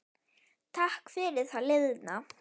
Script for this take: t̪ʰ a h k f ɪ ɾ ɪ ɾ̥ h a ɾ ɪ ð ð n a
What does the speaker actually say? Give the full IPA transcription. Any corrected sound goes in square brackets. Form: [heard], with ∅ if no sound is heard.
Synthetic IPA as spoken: t̪ʰ a h k f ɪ ɾ ɪ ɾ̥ [θ] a [l] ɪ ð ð n a